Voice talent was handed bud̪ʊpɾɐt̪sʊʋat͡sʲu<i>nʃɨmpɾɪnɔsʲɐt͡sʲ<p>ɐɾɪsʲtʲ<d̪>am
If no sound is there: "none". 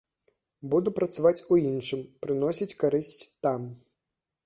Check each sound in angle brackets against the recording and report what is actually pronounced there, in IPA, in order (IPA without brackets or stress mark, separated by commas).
i, k, t̪